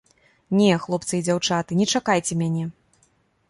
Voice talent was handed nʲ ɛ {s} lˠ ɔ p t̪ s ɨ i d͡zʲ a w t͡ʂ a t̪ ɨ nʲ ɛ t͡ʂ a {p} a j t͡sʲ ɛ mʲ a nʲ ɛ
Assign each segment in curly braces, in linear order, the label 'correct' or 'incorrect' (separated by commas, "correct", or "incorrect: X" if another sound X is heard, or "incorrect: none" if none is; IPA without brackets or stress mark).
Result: incorrect: x, incorrect: k